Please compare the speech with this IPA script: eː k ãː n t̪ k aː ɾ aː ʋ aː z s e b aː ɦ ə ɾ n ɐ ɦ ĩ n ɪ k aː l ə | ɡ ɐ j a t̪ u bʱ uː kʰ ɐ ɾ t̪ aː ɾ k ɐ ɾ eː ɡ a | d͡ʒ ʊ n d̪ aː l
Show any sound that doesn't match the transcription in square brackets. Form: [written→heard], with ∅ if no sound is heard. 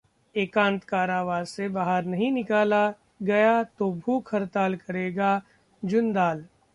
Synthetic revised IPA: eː k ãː n t̪ k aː ɾ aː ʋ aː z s e b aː ɦ ə ɾ n ɐ ɦ ĩ n ɪ k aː l [ə→a] | ɡ ɐ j a t̪ [u→o] bʱ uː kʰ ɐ ɾ t̪ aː [ɾ→l] k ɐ ɾ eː ɡ a | d͡ʒ ʊ n d̪ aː l

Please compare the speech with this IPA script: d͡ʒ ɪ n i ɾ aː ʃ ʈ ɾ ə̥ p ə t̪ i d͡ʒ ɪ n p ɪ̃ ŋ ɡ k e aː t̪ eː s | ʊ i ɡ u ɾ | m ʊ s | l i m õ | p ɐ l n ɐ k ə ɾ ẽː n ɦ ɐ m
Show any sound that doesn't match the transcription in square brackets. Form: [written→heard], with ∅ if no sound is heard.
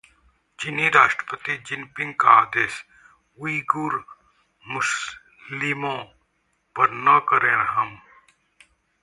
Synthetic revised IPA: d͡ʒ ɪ n i ɾ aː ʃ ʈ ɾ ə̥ p ə t̪ i d͡ʒ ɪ n p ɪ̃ ŋ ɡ k [e→a] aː [t̪→d̪] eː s | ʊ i ɡ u ɾ | m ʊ s | l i m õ | p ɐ [l→ɾ] n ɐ k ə ɾ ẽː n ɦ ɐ m

